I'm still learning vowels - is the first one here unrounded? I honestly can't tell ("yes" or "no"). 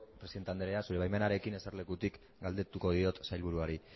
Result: yes